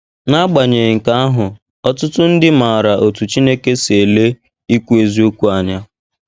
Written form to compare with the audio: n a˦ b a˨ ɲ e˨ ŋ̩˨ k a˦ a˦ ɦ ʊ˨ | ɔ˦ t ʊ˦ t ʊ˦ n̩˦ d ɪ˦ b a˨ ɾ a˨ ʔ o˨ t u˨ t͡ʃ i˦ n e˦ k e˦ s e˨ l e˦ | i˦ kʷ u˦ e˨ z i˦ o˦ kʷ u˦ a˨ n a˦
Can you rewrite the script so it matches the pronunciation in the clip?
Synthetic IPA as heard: n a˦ ɡ͡b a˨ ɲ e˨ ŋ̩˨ k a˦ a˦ ɦ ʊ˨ | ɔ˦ t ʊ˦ t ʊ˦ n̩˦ d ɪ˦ m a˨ ɾ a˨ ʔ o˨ t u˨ t͡ʃ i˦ n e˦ k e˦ s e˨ l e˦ | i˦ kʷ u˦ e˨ z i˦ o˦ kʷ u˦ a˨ ɲ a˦